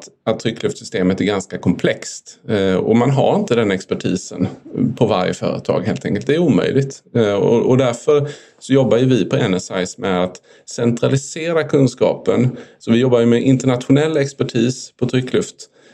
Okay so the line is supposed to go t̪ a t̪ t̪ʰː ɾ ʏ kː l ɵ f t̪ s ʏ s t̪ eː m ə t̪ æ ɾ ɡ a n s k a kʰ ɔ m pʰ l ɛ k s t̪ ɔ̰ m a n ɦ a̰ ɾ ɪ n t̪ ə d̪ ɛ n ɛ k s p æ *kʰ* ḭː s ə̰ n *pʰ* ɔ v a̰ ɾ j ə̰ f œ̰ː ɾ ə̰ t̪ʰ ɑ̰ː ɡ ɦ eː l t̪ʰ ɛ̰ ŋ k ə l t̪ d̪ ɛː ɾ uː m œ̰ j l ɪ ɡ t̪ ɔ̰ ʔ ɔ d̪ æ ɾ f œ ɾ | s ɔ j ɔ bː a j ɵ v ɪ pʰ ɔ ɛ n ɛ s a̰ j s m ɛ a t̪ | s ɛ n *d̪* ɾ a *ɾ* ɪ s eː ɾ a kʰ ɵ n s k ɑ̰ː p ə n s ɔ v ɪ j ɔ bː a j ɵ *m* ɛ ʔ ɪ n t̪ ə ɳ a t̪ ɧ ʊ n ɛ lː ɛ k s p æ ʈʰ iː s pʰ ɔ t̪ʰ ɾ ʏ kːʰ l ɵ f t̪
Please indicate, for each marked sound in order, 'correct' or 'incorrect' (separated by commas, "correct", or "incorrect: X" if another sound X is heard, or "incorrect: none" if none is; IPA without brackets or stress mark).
incorrect: ʈʰ, correct, incorrect: t̪, incorrect: l, correct